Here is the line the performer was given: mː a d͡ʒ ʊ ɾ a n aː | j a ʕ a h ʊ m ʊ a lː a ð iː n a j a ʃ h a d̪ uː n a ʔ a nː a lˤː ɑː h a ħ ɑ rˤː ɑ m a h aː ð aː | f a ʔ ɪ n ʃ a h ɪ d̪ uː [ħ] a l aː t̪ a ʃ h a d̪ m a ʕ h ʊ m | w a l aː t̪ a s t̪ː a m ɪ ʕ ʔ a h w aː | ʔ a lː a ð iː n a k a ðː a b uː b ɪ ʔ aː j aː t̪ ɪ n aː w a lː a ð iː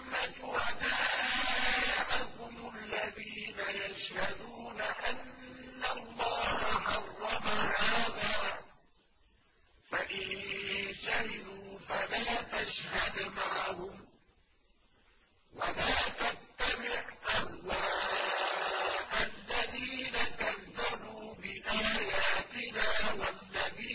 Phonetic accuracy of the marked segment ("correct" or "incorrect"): incorrect